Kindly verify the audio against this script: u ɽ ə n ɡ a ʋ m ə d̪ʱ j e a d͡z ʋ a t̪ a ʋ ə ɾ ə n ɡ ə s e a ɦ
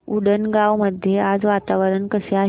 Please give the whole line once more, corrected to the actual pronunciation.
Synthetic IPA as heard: u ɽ ə n ɡ a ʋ m ə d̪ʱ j e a d͡z ʋ a t̪ a ʋ ə ɾ ə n k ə s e a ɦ